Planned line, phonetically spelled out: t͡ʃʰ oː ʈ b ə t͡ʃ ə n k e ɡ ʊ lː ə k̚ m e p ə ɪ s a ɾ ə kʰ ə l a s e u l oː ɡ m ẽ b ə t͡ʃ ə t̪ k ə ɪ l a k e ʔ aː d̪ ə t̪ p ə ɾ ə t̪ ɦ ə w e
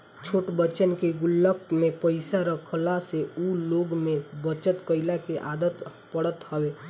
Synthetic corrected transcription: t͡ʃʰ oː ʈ b ə t͡ʃ ə n k e ɡ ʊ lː ə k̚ m e p ə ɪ s a ɾ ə kʰ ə l a s e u l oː ɡ m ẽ b ə t͡ʃ ə t̪ k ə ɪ l a k e ʔ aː d̪ ə t̪ p ə ɽ ə t̪ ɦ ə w e